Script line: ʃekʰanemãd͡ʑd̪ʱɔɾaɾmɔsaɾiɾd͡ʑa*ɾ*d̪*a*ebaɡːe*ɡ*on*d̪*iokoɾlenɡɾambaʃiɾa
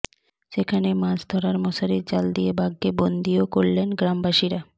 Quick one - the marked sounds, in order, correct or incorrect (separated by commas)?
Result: incorrect, incorrect, incorrect, correct